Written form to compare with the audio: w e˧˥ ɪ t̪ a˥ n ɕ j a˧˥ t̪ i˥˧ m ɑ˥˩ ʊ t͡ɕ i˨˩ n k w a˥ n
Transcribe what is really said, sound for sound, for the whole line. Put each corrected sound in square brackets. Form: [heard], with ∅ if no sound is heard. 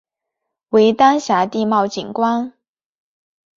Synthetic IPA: w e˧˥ ɪ t̪ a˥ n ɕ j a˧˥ t̪ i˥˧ m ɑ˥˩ ʊ t͡ɕ i˨˩ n k w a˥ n

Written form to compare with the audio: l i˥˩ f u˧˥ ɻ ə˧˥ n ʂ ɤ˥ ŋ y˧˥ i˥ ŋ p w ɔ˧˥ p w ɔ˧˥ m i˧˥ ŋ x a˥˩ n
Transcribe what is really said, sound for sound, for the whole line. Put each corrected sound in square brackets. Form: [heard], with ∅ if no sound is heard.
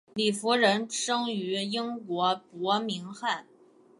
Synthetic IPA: l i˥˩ f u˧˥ ɻ ə˧˥ n ʂ ɤ˥ ŋ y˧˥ i˥ ŋ [k] w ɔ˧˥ p w ɔ˧˥ m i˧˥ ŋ x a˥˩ n

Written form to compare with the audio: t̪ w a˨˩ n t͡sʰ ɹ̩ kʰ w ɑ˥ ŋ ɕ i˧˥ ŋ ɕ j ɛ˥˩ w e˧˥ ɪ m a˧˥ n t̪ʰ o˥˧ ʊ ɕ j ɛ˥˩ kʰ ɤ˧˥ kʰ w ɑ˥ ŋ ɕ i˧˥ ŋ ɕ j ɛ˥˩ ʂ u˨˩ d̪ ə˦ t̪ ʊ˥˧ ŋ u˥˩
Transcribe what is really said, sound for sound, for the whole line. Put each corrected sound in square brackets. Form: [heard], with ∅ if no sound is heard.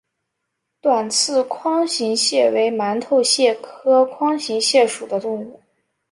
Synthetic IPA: t̪ w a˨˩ n t͡sʰ ɹ̩ kʰ w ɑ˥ ŋ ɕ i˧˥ ŋ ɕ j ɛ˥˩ w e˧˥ ɪ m a˧˥ n t̪ʰ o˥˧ ʊ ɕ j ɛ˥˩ kʰ [ɤ˥] kʰ w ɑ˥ ŋ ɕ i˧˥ ŋ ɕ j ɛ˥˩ ʂ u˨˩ d̪ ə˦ t̪ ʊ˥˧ ŋ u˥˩

